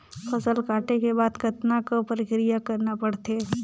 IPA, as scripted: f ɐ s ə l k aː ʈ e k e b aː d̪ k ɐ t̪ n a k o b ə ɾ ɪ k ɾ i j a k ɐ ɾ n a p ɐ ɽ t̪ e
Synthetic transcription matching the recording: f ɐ s ə l k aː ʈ e k e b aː d̪ k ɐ t̪ n a k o p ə ɾ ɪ k ɾ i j a k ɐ ɾ n a p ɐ ɽ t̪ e